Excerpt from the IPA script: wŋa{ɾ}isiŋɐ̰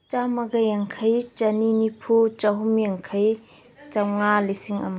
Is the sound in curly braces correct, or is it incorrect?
incorrect: l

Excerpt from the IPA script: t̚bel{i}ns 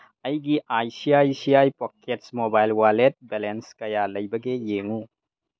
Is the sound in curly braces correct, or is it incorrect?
incorrect: e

